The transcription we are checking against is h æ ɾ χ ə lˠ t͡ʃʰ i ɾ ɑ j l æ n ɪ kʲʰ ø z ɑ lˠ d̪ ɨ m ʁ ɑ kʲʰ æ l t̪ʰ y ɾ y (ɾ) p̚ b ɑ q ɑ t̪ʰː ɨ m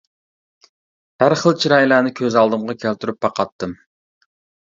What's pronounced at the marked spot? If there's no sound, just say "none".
none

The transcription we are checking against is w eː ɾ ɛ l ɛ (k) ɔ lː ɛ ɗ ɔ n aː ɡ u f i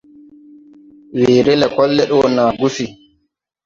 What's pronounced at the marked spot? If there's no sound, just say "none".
k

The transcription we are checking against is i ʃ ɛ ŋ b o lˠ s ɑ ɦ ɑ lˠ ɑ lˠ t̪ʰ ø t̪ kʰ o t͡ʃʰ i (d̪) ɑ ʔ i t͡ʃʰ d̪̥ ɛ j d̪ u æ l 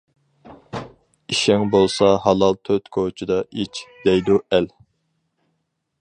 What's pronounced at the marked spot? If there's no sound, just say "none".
d̪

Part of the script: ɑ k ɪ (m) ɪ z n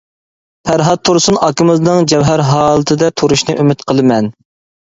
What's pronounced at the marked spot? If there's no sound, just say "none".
m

